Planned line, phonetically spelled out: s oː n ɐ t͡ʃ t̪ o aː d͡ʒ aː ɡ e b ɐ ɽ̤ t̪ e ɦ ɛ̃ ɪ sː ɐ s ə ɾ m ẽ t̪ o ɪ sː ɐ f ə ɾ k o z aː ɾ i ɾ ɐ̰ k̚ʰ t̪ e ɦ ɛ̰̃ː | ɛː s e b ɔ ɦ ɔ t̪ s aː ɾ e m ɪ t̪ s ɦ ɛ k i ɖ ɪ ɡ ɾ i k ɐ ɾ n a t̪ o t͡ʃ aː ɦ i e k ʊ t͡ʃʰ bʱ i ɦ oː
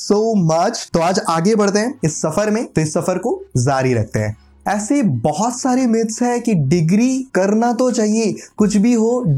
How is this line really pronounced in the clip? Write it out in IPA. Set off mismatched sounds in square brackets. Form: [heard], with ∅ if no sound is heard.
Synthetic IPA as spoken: s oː [m] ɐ t͡ʃ t̪ o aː d͡ʒ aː ɡ e b ɐ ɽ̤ t̪ e ɦ ɛ̃ ɪ sː ɐ [f] ə ɾ m ẽ t̪ o ɪ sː ɐ f ə ɾ k o z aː ɾ i ɾ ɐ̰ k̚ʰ t̪ e ɦ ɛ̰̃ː | ɛː s e b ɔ ɦ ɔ t̪ s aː ɾ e m ɪ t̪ s ɦ ɛ k i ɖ ɪ ɡ ɾ i k ɐ ɾ n a t̪ o t͡ʃ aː ɦ i e k ʊ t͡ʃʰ bʱ i ɦ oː